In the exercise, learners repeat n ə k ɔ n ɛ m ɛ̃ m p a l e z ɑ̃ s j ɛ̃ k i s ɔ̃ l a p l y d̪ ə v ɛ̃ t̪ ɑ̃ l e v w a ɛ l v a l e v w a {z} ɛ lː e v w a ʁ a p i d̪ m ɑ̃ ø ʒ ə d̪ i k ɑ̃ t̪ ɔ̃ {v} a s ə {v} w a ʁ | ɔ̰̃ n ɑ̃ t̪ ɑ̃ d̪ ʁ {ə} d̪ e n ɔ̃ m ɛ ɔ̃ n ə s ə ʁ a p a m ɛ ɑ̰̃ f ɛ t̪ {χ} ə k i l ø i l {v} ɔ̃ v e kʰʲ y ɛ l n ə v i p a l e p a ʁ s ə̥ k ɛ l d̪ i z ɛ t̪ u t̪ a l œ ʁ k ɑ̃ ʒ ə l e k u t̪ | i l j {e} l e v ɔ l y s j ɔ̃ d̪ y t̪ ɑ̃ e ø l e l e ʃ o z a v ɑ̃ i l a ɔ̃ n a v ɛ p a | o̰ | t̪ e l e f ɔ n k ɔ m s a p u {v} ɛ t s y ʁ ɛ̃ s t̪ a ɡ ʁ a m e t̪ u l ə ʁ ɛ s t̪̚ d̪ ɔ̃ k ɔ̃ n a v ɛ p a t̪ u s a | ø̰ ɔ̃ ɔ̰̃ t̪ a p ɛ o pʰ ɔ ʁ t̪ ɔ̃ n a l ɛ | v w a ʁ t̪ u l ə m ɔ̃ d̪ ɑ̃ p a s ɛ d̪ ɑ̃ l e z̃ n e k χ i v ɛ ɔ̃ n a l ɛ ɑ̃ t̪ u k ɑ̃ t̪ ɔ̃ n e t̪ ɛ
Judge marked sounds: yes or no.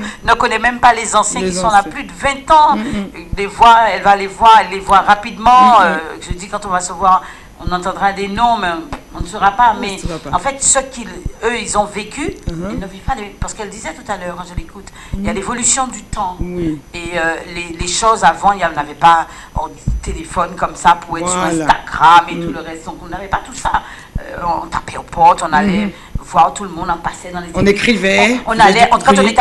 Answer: no, yes, yes, no, no, no, no, no

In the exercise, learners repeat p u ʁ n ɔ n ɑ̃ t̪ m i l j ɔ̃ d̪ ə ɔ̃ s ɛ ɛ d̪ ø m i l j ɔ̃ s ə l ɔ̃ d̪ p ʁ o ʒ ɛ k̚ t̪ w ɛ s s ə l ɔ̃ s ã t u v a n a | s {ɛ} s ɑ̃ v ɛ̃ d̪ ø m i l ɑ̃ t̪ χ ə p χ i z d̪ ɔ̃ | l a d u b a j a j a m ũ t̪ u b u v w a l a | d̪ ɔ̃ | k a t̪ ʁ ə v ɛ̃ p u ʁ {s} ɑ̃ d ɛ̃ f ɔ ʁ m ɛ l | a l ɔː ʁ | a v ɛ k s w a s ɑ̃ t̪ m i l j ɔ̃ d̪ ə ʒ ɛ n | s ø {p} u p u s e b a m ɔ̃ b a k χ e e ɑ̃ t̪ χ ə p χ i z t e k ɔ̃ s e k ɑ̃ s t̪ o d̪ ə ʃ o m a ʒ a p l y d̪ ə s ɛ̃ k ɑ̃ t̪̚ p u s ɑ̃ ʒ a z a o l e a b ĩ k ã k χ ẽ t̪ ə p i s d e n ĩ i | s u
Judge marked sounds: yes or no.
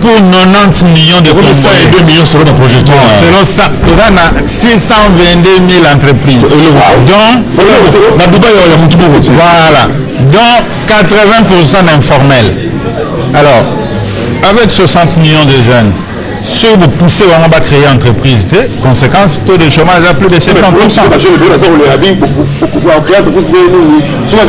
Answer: no, yes, no

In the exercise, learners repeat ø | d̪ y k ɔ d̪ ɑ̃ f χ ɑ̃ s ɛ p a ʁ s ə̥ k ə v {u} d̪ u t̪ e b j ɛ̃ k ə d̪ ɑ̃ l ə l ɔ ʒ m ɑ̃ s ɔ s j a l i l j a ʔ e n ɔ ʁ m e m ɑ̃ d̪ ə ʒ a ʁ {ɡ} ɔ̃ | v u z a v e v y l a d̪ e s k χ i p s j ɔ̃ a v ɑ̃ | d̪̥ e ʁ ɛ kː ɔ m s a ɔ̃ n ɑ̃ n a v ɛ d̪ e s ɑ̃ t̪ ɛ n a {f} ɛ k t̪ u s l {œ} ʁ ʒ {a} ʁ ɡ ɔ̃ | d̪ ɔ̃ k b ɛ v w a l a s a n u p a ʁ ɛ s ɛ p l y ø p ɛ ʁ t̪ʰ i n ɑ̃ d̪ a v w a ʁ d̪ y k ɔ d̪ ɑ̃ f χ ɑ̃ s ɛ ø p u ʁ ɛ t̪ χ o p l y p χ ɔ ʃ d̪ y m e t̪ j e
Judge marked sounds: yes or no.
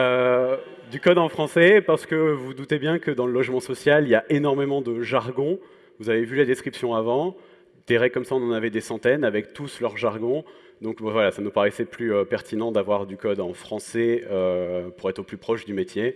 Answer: yes, yes, no, yes, yes

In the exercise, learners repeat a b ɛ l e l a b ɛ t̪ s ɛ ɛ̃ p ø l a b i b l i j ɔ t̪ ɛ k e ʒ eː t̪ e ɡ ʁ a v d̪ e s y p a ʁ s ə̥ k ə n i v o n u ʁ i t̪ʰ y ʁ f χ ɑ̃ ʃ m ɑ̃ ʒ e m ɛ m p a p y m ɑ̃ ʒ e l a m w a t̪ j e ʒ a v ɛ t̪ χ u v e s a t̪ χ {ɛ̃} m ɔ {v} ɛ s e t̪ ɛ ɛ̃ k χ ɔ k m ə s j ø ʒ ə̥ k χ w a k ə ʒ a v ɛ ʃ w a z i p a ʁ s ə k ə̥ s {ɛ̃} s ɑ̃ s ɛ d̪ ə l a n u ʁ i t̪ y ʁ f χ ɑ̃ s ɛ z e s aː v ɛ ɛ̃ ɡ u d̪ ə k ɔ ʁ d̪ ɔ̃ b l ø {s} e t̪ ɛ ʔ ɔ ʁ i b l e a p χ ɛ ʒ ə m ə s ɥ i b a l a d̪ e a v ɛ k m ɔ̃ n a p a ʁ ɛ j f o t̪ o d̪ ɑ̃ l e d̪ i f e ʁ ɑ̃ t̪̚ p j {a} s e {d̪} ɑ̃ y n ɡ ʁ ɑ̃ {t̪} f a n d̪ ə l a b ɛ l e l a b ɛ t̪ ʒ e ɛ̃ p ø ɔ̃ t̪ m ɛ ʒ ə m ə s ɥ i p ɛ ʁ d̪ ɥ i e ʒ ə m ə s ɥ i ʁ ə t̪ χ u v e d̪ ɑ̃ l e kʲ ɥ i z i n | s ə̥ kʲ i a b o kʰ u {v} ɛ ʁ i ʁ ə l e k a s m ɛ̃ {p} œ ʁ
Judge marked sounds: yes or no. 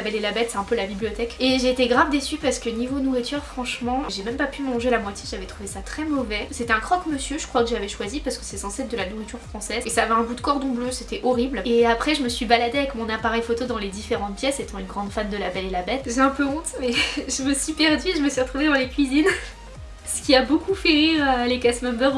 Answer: no, yes, no, yes, no, no, no, no, no

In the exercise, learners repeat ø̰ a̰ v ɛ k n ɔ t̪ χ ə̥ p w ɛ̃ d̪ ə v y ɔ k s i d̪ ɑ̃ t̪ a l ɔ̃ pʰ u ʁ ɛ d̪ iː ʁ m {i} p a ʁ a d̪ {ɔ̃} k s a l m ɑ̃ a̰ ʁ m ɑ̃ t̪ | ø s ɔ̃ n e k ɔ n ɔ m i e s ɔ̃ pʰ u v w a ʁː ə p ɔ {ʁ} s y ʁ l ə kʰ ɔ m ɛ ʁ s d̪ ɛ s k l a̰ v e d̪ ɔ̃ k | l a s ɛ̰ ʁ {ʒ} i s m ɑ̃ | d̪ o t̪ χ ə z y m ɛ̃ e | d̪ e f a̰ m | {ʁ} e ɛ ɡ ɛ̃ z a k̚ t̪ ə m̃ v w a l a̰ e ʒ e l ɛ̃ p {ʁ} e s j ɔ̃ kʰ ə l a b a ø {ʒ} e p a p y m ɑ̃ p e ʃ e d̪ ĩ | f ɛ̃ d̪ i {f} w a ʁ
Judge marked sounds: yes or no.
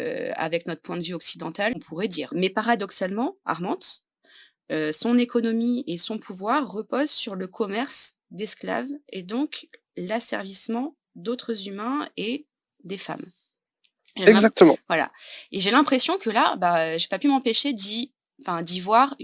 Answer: no, no, no, no, no, no, yes, no

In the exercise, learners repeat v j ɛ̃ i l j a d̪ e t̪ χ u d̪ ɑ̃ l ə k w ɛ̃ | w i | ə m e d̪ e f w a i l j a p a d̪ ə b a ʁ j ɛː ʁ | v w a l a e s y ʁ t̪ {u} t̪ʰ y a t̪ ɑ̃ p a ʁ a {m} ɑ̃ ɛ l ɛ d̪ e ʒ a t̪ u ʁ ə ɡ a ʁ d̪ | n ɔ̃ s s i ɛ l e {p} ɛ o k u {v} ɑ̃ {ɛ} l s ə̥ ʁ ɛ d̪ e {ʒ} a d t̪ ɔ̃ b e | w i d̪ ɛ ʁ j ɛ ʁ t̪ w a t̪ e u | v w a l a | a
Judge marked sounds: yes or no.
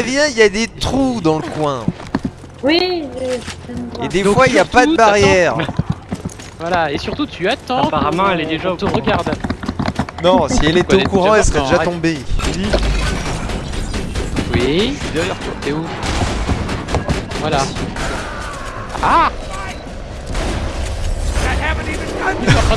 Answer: yes, yes, no, no, yes, yes

